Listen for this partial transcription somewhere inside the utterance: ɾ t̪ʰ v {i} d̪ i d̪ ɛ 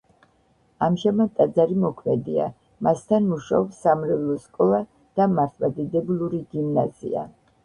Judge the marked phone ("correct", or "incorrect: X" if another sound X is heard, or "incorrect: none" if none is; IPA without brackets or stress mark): incorrect: a